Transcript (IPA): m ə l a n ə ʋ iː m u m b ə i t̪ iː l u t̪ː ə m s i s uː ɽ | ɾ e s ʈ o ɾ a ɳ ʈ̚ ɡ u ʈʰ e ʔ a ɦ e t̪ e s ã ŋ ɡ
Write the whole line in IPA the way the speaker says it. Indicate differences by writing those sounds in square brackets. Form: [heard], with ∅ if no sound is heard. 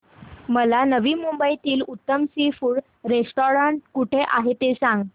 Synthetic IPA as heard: m ə l a n ə ʋ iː m u m b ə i t̪ iː l u t̪ː ə m s i [f] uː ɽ | ɾ e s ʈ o ɾ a ɳ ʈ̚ [k] u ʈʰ e ʔ a ɦ e t̪ e s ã ŋ ɡ